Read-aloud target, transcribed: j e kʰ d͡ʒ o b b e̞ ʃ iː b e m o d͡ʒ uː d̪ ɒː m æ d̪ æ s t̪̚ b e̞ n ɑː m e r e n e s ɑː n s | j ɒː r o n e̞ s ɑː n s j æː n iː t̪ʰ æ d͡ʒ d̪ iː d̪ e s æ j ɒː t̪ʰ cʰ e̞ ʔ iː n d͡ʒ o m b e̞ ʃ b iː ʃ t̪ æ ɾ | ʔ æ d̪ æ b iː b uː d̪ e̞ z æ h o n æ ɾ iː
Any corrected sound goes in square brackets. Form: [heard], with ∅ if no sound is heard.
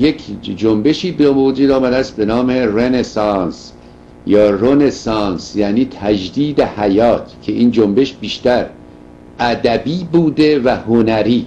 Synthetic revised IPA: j e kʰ d͡ʒ o [m] b e̞ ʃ iː b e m o d͡ʒ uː d̪ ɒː m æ d̪ æ s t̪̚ b e̞ n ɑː m e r e n e s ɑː n s | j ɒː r o n e̞ s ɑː n s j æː n iː t̪ʰ æ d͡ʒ d̪ iː d̪ e [h] æ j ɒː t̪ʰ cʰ e̞ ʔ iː n d͡ʒ o m b e̞ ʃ b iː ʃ t̪ æ ɾ | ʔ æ d̪ æ b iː b uː d̪ e̞ [v] æ h o n æ ɾ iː